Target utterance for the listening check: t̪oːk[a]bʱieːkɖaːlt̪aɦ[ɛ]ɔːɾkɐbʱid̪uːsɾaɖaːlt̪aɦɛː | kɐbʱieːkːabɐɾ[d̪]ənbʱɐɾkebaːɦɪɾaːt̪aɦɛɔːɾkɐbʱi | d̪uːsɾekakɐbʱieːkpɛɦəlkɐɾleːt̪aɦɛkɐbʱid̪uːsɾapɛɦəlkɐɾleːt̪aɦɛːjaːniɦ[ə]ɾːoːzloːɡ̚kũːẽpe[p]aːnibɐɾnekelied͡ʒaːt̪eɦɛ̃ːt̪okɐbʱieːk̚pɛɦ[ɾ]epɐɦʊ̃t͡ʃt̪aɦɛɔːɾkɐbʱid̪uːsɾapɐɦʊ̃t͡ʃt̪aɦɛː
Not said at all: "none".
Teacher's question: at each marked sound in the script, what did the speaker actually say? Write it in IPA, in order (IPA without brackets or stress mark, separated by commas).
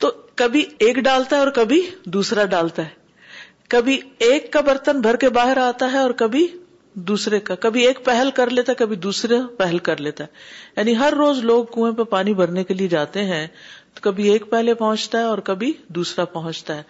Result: ɐ, ɛ, t̪, ɐ, p, l